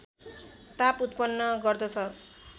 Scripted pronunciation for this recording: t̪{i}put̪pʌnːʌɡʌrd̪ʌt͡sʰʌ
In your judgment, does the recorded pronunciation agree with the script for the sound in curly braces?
no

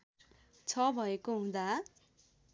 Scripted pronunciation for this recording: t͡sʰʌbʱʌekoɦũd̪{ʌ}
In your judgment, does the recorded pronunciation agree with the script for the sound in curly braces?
no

